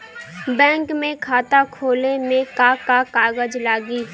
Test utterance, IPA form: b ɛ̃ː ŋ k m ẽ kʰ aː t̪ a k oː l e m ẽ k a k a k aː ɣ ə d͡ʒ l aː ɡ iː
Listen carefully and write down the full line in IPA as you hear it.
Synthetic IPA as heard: b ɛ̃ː ŋ k m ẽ kʰ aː t̪ a kʰ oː l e m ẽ k a k a k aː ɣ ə d͡ʒ l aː ɡ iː